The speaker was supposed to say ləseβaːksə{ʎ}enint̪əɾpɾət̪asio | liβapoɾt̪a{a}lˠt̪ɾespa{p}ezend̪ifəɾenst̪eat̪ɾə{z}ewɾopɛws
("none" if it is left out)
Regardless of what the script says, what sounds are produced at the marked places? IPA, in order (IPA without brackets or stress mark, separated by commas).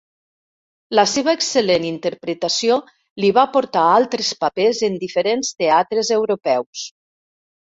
l, a, p, z